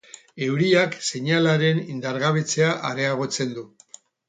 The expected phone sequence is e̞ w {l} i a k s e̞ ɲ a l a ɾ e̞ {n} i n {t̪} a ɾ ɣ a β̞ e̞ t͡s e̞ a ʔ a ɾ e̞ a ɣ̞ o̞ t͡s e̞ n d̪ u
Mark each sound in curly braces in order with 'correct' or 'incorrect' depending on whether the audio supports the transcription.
incorrect, correct, incorrect

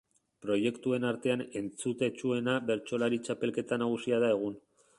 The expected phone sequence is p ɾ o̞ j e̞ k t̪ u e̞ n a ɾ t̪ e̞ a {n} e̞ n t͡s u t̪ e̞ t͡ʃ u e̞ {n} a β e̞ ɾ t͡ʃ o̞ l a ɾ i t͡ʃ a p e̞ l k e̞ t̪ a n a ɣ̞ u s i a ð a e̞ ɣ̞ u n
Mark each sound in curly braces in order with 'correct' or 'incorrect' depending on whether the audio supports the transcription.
correct, correct

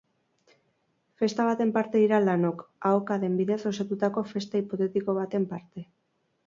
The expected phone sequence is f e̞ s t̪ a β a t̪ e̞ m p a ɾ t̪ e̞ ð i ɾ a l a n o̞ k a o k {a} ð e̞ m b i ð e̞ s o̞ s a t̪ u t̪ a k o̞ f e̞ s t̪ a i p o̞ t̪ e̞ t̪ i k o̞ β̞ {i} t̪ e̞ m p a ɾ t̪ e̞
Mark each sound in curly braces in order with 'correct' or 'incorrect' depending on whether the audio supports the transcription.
correct, incorrect

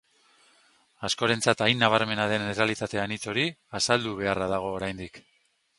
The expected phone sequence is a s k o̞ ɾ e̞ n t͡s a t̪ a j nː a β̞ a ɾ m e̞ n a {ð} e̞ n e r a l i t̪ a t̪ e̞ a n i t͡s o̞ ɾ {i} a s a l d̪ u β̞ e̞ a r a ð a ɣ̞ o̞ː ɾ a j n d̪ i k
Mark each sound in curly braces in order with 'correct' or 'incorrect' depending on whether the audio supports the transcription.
correct, correct

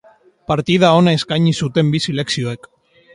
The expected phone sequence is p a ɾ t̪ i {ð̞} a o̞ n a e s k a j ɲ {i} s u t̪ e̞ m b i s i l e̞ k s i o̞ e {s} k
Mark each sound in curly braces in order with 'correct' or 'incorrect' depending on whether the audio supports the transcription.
correct, correct, incorrect

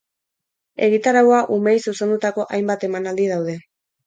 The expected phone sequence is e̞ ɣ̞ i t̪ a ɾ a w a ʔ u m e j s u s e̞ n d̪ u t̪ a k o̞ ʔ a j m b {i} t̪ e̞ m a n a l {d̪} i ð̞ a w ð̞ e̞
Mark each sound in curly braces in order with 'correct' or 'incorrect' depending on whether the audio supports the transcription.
incorrect, correct

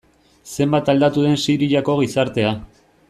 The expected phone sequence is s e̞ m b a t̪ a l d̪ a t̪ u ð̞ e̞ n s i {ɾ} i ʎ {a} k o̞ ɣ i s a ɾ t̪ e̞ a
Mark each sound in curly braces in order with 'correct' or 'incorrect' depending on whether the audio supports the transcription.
correct, correct

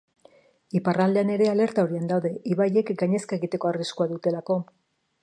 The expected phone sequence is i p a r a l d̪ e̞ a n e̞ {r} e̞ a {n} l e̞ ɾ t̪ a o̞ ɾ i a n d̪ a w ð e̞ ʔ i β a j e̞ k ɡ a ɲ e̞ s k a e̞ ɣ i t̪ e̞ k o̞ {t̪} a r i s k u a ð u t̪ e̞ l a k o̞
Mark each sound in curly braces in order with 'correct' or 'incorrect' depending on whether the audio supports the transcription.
incorrect, incorrect, incorrect

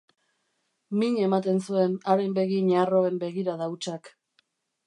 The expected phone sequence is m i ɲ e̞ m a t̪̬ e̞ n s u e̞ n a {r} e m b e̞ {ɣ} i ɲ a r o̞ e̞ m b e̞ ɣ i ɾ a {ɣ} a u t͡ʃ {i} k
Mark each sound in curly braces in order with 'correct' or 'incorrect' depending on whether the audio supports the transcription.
incorrect, correct, incorrect, incorrect

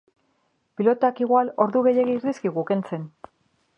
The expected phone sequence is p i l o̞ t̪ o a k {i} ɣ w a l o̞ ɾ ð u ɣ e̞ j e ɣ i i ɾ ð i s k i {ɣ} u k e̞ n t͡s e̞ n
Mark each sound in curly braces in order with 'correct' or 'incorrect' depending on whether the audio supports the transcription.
correct, correct

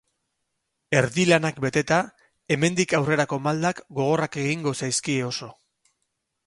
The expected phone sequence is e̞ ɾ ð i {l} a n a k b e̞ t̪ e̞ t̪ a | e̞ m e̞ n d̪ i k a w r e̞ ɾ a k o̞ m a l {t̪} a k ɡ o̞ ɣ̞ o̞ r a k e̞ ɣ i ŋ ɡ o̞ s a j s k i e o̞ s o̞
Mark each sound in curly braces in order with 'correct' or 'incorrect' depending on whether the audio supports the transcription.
correct, incorrect

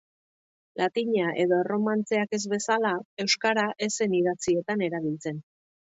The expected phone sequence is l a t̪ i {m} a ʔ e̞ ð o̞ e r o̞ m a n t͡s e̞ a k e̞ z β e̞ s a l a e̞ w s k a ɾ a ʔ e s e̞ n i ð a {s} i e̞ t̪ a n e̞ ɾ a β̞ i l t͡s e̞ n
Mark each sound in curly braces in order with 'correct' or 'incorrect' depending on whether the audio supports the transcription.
incorrect, incorrect

